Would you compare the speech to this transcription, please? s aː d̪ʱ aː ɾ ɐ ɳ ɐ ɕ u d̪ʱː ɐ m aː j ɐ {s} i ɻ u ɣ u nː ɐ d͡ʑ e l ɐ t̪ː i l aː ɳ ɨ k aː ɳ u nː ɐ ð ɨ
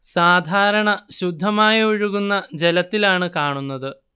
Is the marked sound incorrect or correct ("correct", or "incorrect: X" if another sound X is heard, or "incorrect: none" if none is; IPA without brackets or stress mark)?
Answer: incorrect: none